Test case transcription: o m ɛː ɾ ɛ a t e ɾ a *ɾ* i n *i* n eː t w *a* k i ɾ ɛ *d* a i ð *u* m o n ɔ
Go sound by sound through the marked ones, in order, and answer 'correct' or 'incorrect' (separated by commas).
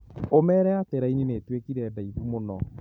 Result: incorrect, correct, incorrect, correct, correct